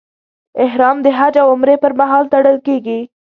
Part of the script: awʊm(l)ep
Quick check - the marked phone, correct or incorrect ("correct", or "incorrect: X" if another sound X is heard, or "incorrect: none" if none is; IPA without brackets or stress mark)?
incorrect: ɾ